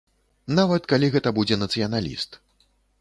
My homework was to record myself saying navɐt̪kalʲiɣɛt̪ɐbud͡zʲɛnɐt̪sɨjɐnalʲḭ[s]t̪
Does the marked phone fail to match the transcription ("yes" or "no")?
no